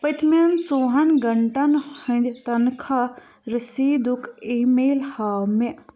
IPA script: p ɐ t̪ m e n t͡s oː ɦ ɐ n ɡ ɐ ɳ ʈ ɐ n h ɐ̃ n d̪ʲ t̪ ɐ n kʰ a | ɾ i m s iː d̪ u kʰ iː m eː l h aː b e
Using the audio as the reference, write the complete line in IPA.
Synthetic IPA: p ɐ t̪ m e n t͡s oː ɦ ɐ n ɡ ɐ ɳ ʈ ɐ n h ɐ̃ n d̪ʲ t̪ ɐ n kʰ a | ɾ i s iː d̪ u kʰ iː m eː l h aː m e